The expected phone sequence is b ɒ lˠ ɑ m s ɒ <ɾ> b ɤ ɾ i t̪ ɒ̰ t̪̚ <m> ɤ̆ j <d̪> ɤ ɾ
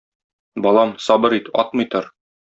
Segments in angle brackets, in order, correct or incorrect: incorrect: none, correct, incorrect: t̪

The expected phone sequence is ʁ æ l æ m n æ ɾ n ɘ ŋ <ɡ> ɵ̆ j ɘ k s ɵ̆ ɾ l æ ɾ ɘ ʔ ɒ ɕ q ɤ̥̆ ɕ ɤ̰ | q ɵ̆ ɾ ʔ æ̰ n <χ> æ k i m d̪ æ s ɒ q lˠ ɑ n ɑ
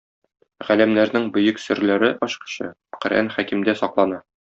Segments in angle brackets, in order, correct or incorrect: incorrect: b, correct

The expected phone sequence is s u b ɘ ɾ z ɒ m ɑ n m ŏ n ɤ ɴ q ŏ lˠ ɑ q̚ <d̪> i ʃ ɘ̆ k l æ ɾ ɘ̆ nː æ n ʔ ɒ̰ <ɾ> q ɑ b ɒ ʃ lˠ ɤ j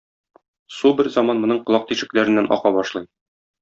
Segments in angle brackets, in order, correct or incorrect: incorrect: t̪, incorrect: none

